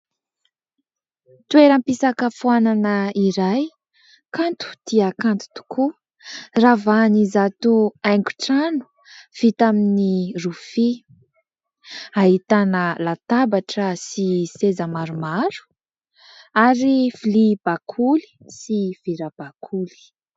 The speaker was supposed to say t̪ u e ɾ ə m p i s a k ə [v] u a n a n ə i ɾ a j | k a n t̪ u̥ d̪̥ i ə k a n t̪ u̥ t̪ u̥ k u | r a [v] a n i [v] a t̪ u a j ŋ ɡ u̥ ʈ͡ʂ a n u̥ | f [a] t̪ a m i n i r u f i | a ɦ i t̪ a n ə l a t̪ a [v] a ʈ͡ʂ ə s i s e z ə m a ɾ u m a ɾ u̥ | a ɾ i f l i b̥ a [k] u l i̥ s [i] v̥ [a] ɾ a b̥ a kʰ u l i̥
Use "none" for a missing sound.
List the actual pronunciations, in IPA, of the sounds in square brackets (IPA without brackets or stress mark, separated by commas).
f, v, z, i, b, kʰ, i, i